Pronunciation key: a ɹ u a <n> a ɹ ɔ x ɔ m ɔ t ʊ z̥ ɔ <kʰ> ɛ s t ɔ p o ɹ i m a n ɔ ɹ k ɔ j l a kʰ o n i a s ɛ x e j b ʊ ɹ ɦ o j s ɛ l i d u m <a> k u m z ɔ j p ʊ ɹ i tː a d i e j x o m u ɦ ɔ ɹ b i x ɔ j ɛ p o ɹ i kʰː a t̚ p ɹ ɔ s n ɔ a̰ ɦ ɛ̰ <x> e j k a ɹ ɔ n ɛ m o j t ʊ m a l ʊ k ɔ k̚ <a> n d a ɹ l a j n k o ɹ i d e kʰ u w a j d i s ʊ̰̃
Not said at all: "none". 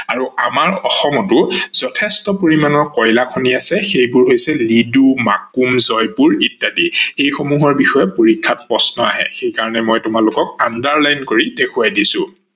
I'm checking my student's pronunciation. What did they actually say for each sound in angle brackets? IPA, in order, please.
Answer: m, tʰ, a, x, a

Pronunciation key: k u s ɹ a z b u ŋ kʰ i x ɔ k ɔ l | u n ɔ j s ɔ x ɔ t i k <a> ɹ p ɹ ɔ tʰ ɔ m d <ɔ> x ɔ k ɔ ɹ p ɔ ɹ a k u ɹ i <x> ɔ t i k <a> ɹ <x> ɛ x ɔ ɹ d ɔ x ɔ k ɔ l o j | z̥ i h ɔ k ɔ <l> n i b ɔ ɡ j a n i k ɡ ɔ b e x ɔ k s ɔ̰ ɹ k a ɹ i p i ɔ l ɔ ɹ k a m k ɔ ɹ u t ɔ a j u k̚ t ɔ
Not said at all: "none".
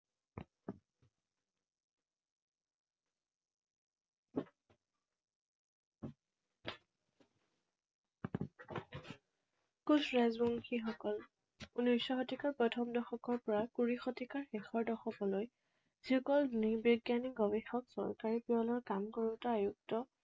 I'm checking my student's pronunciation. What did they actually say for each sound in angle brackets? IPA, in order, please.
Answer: a, ɔ, x, a, x, l

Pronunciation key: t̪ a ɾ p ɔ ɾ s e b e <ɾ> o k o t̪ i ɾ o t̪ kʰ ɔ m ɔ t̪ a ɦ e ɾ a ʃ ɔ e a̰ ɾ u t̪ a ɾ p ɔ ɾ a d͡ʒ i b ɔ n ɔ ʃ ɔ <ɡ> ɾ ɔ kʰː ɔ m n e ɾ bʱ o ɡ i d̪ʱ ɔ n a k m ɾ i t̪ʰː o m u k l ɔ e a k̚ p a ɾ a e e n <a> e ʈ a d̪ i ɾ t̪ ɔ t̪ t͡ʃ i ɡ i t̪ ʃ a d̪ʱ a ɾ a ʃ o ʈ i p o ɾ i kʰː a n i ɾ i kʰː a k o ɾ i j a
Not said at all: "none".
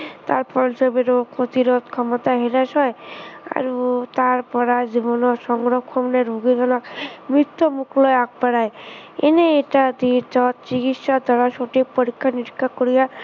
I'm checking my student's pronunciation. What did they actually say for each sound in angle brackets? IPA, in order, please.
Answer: ɾ, ŋ, e

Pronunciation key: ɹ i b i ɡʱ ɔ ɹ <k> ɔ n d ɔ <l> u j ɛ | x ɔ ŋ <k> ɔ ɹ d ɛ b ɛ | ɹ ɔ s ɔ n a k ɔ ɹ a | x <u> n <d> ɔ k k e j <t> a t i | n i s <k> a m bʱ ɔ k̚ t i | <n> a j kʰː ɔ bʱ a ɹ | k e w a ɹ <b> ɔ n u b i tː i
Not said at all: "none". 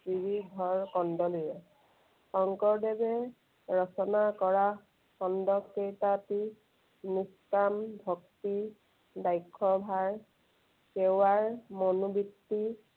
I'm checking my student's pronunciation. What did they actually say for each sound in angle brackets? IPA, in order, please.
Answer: k, l, k, ɔ, d, t, k, d, m

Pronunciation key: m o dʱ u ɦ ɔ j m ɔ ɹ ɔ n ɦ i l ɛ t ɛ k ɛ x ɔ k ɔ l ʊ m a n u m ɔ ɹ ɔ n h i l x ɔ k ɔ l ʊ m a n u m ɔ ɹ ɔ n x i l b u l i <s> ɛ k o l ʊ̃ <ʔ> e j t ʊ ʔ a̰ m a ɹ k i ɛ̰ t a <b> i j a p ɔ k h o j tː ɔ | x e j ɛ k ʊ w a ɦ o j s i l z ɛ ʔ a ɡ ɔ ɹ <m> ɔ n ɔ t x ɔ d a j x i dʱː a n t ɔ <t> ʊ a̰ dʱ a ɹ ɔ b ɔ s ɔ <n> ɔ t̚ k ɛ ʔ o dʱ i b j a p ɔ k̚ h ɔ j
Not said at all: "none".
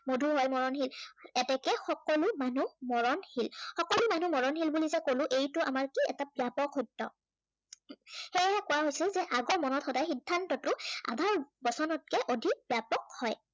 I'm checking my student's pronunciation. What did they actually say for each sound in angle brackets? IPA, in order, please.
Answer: z, ʔ, b, m, t, n

